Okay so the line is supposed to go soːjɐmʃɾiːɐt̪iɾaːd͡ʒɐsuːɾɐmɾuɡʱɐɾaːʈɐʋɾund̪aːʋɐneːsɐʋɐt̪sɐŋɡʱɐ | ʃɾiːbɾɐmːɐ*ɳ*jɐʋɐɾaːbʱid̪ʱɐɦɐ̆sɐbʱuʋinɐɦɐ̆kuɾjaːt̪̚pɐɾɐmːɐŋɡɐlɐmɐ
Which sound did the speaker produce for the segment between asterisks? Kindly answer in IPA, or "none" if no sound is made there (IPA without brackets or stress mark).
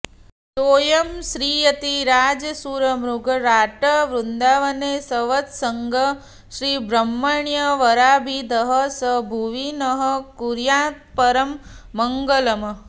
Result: ɳ